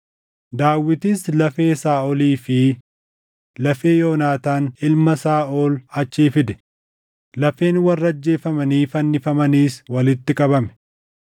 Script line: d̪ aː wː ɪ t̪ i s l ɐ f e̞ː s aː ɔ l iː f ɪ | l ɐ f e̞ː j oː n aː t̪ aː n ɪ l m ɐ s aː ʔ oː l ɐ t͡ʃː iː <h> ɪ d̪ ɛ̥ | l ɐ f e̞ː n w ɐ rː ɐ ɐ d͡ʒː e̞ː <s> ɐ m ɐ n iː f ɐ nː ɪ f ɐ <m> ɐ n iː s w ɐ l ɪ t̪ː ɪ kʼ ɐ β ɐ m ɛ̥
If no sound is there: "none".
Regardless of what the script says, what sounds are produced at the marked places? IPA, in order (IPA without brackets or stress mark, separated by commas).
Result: f, f, m